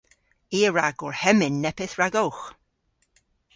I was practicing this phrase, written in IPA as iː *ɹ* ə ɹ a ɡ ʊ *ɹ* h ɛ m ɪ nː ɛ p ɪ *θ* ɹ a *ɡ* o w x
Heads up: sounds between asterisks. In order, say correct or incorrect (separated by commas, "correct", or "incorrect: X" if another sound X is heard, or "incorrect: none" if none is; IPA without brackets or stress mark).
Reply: incorrect: none, correct, correct, correct